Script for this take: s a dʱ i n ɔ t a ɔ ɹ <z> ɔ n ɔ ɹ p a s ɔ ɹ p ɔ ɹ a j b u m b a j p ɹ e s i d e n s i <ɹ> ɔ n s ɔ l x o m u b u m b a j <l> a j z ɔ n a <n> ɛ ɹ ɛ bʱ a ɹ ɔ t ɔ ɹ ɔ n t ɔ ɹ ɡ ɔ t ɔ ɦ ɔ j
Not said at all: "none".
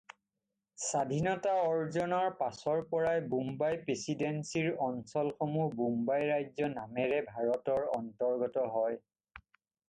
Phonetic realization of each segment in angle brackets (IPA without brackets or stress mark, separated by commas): z, ɹ, ɹ, m